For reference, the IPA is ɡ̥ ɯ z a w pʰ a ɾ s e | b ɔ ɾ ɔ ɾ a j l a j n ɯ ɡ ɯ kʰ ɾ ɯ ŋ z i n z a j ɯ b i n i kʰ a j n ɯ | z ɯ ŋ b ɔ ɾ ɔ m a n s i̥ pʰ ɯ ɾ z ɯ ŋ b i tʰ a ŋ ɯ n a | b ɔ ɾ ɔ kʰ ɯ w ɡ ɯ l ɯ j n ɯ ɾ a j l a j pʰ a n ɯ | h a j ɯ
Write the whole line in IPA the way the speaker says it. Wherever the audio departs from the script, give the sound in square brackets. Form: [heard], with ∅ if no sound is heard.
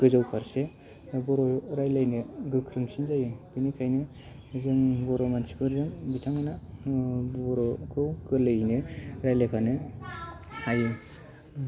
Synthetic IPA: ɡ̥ ɯ z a w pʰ a ɾ s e | b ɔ ɾ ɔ ɾ a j l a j n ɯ ɡ ɯ kʰ ɾ ɯ ŋ [s] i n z a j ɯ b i n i kʰ a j n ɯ | z ɯ ŋ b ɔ ɾ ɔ m a n s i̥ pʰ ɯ ɾ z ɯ ŋ b i tʰ a ŋ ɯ n a | b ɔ ɾ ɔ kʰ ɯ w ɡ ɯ l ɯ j n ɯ ɾ a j l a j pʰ a n ɯ | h a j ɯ